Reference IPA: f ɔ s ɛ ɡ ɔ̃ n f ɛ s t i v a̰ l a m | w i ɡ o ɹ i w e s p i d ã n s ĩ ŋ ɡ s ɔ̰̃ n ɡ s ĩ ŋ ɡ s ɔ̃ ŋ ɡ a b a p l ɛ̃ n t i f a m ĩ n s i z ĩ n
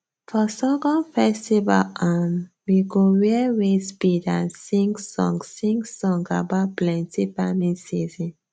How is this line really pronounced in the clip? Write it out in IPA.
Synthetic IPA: f ɔ s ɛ ɡ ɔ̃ n f ɛ s t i v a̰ l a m | w i ɡ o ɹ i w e s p i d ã n s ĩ ŋ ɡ s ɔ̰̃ ŋ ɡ s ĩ ŋ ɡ s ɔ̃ ŋ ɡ a b a p l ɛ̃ n t i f a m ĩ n s i z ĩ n

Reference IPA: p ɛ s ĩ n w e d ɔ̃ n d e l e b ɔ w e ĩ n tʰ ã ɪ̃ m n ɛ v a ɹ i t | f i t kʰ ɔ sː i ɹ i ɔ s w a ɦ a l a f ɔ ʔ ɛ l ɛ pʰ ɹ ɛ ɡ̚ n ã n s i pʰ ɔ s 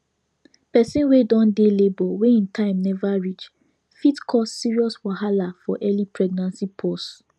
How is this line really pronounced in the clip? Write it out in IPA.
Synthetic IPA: p ɛ s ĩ n w e d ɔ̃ n d e l e b ɔ w e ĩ n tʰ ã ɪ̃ m n ɛ v a ɹ i t͡ʃ | f i t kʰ ɔ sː i ɹ i ɔ s w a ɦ a l a f ɔ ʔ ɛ l i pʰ ɹ ɛ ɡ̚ n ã n s i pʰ ɔ s

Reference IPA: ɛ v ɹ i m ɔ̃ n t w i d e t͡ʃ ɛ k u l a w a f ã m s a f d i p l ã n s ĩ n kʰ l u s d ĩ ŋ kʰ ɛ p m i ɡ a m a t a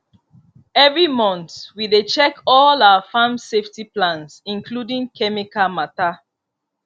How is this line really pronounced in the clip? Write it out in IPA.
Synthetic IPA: ɛ v ɹ i m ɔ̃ n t w i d e t͡ʃ ɛ k ɔ l a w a f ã m s e f t i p l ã n s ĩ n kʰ l u d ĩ ŋ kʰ ɛ m i k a m a t a

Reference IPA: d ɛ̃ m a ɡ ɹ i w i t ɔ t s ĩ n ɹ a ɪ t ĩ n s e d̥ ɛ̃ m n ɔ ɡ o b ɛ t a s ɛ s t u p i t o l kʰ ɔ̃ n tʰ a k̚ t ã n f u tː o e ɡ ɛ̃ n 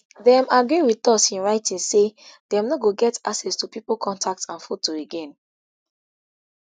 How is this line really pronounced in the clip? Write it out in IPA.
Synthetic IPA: d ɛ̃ m a ɡ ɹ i w i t ɔ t s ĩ n ɹ a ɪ t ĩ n s e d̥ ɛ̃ m n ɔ ɡ o ɡ ɛ t a s ɛ s t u p i p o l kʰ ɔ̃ n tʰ a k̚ t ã n f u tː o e ɡ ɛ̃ n

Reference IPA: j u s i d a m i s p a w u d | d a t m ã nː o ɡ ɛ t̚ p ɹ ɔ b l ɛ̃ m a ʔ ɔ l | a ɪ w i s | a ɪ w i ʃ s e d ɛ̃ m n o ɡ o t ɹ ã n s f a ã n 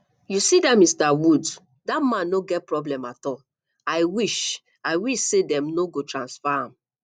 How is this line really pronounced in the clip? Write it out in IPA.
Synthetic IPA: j u s i d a m i s t a w u d | d a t m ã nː o ɡ ɛ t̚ p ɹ ɔ b l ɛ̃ m a t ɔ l | a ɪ w i ʃ | a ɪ w i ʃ s e d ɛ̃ m n o ɡ o t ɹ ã n s f a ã m

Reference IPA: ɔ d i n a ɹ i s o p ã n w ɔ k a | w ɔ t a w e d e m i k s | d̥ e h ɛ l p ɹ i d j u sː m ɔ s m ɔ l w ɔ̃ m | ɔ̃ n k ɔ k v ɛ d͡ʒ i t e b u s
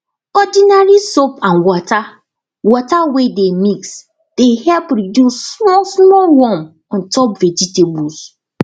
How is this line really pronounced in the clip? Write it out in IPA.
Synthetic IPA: ɔ d i n a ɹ i s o p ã n w ɔ t a | w ɔ t a w e d e m i k s | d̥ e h ɛ l p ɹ i d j u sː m ɔ s m ɔ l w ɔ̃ m | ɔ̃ n t ɔ p v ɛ d͡ʒ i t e b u s

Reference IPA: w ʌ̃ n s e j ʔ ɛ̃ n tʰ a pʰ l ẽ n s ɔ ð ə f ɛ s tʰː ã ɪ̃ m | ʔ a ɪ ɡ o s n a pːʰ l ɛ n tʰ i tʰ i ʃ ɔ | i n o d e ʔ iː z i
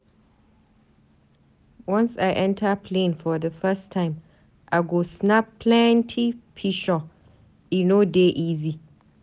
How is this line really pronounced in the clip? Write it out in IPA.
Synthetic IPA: w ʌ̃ n s a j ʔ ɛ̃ n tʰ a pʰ l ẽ n f ɔ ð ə f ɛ s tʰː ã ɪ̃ m | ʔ a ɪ ɡ o s n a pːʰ l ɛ n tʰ i pʰ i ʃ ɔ | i n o d e ʔ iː z i

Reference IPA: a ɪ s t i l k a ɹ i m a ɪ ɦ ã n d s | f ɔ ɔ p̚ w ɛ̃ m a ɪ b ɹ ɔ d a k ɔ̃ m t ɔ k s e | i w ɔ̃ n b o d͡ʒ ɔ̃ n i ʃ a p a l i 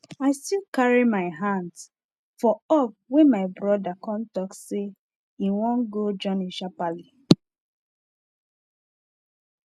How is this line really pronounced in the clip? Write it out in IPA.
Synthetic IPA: a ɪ s t i l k a ɹ i m a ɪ ɦ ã n d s | f ɔ ɔ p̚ w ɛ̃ m a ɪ b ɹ ɔ d a k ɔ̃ n t ɔ k s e | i w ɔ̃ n ɡ o d͡ʒ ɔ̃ n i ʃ a p a l i

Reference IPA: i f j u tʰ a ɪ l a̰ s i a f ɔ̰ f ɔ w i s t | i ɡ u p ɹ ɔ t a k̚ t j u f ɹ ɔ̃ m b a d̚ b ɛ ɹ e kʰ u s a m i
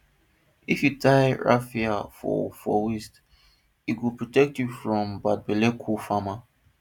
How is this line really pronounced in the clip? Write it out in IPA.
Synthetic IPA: i f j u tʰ a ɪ ɹ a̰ f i a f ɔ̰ f ɔ w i s t | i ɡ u p ɹ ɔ t ɛ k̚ t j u f ɹ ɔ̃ m b a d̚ b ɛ l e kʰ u f a m a

